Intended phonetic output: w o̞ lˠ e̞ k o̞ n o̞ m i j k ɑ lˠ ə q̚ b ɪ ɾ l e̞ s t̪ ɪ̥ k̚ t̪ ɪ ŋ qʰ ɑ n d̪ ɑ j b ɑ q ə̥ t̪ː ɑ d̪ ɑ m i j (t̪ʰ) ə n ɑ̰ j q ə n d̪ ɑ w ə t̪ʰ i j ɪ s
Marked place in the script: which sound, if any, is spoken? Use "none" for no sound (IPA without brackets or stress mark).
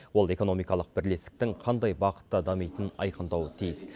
t̪